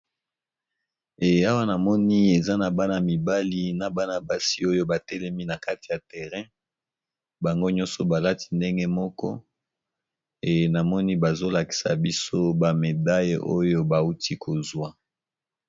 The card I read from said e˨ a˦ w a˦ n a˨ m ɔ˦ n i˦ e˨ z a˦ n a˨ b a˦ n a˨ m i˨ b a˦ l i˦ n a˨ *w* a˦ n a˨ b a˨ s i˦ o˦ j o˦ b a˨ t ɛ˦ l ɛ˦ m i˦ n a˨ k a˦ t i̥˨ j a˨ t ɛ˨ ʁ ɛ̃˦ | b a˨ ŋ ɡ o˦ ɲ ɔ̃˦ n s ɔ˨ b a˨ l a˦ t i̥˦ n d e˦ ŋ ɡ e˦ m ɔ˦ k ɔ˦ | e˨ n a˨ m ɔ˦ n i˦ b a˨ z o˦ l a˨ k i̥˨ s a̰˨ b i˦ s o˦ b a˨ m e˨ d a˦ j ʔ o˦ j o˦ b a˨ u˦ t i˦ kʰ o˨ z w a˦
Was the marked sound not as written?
yes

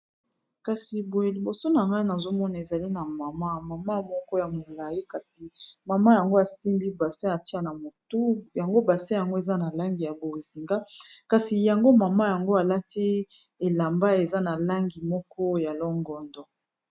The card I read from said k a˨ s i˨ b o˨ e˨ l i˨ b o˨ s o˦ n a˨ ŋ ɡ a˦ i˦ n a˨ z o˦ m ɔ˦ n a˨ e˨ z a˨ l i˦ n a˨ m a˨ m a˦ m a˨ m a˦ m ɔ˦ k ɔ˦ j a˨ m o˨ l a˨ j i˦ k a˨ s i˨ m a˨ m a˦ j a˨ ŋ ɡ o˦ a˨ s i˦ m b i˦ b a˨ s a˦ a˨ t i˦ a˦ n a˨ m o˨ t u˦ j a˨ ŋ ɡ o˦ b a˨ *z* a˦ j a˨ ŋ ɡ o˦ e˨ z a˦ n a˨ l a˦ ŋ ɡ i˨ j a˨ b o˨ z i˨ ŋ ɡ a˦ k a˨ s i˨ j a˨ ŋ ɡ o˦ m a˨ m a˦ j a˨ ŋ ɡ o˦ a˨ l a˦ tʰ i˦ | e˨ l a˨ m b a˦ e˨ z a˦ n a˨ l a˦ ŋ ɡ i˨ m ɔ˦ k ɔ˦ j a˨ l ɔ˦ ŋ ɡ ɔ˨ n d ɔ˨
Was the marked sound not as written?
yes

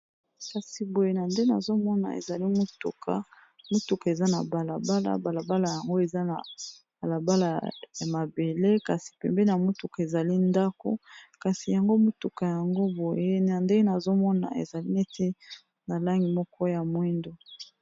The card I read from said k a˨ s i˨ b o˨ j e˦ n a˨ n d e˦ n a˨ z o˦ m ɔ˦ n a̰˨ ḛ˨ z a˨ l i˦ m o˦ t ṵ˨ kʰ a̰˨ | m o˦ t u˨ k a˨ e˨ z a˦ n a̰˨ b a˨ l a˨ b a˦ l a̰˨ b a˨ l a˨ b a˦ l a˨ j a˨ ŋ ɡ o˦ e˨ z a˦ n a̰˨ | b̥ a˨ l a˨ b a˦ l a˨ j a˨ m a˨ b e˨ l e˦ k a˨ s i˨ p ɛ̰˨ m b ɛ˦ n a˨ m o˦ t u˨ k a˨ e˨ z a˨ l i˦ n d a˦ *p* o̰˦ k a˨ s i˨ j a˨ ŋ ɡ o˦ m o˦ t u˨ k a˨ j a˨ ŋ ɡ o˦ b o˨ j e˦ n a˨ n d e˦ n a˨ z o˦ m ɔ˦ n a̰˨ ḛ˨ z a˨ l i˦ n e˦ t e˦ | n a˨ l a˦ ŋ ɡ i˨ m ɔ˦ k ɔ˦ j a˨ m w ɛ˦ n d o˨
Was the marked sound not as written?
yes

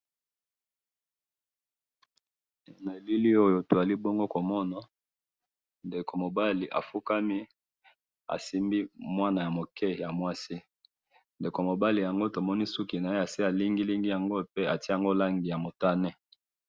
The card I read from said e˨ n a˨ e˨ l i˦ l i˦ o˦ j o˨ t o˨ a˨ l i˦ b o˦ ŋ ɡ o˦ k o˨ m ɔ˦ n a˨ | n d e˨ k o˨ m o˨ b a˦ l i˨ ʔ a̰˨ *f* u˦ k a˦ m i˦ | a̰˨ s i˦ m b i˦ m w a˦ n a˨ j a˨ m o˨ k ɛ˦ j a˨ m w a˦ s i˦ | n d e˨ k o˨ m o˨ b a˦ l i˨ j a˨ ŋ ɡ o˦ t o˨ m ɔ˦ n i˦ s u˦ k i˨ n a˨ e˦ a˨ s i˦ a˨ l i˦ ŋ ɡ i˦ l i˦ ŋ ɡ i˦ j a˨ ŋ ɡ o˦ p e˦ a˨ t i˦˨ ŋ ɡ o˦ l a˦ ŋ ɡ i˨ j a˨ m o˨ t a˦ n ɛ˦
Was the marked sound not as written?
no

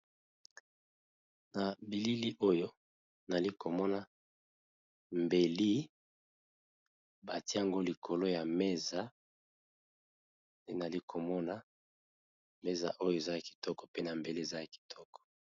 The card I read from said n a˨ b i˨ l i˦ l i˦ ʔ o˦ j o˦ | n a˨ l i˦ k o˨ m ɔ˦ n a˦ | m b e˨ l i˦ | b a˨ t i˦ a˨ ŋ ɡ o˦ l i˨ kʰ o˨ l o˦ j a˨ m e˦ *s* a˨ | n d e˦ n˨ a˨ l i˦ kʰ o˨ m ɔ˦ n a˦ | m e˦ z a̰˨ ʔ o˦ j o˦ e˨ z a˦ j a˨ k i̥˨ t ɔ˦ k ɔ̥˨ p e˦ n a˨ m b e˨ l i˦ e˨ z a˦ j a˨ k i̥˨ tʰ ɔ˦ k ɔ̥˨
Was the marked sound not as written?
yes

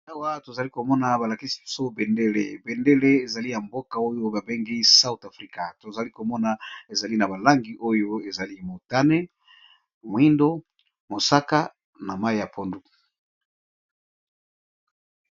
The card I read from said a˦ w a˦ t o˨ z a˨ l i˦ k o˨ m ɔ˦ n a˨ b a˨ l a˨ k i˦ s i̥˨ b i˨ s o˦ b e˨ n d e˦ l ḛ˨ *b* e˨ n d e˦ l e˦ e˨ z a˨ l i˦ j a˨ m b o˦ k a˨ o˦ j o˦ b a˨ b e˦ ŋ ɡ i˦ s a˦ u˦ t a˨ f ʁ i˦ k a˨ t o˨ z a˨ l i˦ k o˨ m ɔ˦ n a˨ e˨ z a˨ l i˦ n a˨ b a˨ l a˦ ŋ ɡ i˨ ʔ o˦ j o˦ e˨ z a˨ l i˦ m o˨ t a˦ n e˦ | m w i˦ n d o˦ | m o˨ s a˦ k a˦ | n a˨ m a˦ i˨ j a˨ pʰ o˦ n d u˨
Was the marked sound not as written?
no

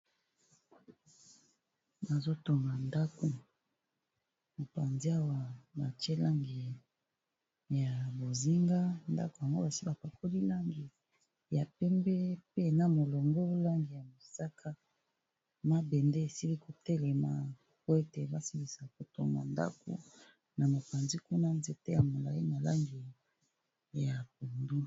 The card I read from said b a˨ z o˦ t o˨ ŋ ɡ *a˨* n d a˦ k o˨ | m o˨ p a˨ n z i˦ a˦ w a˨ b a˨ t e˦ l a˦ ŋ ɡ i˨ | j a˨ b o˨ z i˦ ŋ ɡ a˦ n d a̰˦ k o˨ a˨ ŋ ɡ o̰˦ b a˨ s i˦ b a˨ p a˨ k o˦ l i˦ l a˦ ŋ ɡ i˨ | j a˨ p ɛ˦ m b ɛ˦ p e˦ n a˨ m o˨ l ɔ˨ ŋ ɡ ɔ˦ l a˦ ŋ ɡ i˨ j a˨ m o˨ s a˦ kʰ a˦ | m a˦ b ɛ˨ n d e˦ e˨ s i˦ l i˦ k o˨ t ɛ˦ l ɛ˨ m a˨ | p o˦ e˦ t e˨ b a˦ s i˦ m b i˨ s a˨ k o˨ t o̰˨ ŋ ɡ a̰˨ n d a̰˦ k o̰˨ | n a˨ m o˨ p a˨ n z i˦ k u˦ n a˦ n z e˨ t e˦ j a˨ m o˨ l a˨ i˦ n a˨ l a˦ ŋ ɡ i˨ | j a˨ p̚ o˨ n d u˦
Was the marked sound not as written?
no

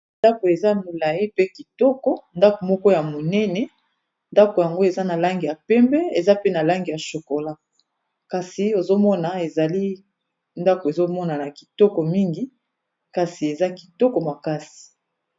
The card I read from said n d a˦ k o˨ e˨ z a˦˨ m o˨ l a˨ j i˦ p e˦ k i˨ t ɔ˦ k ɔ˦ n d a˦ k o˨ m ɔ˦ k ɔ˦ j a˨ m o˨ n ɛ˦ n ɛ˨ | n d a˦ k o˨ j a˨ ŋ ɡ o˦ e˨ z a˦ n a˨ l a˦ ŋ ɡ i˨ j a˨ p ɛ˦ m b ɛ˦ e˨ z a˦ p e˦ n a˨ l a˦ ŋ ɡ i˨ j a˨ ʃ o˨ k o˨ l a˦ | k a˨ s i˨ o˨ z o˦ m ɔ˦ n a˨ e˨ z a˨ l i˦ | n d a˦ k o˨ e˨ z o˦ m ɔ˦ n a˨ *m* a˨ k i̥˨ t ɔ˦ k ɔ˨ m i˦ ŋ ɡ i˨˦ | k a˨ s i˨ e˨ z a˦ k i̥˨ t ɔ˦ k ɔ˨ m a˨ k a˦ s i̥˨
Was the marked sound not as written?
yes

